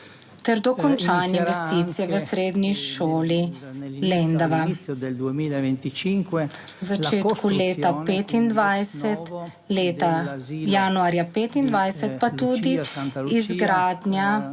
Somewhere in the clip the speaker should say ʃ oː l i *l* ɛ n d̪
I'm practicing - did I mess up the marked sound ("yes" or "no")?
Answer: no